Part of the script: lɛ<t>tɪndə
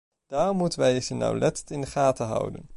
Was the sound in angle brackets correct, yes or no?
yes